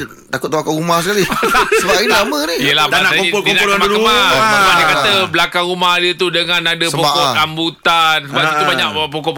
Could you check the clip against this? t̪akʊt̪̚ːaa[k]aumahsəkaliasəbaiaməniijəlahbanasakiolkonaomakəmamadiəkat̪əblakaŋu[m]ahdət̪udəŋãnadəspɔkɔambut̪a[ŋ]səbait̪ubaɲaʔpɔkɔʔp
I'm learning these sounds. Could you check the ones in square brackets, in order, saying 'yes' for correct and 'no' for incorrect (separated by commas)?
yes, yes, no